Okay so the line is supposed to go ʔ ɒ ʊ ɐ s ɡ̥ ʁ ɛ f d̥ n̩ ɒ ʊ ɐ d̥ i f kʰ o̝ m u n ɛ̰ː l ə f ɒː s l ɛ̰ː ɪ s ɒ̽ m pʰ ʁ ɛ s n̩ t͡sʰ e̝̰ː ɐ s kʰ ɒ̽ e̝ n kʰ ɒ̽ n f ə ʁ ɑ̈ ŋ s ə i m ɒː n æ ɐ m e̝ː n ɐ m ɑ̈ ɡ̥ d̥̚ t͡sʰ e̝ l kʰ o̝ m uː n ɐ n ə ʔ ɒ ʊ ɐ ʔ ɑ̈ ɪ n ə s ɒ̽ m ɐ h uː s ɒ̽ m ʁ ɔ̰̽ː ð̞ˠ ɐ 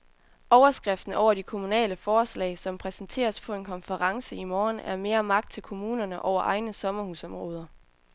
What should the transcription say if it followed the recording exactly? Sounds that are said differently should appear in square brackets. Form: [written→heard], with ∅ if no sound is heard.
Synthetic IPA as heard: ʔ ɒ ʊ ɐ s ɡ̥ ʁ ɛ f d̥ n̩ ɒ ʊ ɐ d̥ i [f→∅] kʰ o̝ m u n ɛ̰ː l ə f ɒː s l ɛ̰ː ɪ s ɒ̽ m pʰ ʁ ɛ s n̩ t͡sʰ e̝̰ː ɐ s [kʰ→pʰ] ɒ̽ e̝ n kʰ ɒ̽ n f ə ʁ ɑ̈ ŋ s ə i m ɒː n æ ɐ m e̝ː [n→∅] ɐ m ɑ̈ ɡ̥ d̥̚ t͡sʰ e̝ l kʰ o̝ m uː n ɐ n ə ʔ ɒ ʊ ɐ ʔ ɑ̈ ɪ n ə s ɒ̽ m ɐ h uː s ɒ̽ m ʁ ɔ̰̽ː ð̞ˠ ɐ